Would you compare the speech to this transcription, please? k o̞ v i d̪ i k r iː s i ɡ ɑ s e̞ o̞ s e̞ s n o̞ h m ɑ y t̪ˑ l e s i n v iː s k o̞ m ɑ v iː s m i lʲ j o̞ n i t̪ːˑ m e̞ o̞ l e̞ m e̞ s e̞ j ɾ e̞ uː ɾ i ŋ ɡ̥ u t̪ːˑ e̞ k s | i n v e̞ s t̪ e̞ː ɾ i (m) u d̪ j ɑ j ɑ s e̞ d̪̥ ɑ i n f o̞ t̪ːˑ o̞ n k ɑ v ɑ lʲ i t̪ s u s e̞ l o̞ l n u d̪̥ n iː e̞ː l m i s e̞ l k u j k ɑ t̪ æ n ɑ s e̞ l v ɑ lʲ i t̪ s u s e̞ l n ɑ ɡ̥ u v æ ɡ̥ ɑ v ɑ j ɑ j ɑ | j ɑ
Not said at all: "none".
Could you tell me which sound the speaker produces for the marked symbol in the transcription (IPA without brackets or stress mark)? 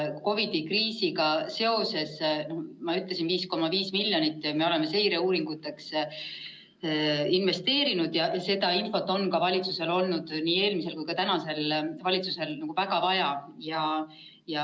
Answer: n